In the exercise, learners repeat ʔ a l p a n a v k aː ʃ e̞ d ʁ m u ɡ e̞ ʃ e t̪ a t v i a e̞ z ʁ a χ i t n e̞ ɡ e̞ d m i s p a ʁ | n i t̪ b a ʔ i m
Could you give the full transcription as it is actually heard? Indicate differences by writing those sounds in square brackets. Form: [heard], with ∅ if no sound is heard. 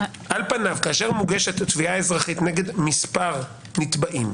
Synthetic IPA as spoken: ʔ a l p a n a v k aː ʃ e̞ [∅] ʁ m u ɡ e̞ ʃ e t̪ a t v i a e̞ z ʁ a χ i t n e̞ ɡ e̞ d m i s p a ʁ | n i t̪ b a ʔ i m